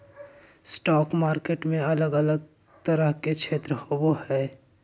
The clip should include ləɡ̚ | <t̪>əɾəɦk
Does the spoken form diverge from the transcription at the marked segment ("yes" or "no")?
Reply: no